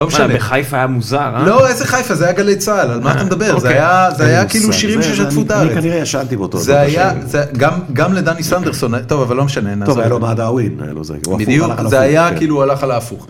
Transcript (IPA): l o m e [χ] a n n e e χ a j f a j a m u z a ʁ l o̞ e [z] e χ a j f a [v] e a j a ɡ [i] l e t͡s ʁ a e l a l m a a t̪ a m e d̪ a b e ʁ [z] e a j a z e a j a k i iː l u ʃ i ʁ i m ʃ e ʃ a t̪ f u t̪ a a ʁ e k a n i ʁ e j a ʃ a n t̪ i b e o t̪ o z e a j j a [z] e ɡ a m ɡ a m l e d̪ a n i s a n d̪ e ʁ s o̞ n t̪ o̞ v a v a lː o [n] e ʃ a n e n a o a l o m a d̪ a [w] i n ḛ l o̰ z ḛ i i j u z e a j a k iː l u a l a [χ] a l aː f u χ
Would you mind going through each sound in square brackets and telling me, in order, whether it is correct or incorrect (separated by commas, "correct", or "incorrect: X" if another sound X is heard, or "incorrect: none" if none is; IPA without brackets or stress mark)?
incorrect: ʃ, correct, incorrect: z, incorrect: a, correct, correct, incorrect: m, correct, correct